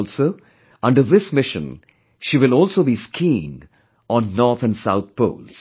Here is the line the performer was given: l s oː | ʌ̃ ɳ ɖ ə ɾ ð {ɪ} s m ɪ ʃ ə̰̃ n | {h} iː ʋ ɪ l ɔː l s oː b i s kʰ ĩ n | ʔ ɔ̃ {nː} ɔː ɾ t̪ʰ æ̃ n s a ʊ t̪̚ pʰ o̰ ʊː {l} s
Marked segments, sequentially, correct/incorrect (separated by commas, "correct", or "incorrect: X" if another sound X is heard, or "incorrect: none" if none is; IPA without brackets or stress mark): correct, incorrect: ʃ, correct, correct